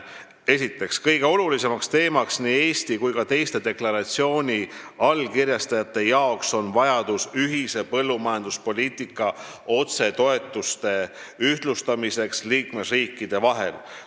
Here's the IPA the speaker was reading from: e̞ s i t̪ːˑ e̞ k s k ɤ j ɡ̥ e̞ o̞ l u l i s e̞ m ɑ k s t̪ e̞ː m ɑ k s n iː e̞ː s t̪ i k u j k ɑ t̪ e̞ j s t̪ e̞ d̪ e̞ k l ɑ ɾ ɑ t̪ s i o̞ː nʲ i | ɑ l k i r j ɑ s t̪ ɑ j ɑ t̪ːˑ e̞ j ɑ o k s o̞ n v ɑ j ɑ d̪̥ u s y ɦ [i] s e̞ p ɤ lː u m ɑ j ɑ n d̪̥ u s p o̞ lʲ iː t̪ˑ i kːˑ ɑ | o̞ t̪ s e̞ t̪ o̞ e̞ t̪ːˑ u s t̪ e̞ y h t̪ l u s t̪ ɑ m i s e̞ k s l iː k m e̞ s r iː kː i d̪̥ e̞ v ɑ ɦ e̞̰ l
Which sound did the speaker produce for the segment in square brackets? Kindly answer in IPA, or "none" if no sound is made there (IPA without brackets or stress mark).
i